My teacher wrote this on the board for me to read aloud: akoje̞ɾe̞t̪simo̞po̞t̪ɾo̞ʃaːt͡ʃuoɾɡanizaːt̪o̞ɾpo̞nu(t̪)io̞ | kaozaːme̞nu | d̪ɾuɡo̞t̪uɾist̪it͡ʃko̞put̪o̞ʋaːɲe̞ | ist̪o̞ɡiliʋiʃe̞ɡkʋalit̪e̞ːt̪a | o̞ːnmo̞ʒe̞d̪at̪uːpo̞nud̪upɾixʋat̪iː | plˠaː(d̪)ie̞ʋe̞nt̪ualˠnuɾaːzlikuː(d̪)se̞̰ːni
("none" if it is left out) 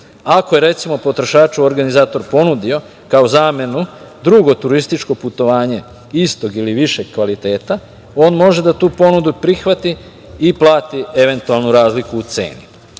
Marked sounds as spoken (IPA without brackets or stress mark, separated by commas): d̪, t̪, t̪